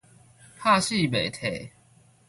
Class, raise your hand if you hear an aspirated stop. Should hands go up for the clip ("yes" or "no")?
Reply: yes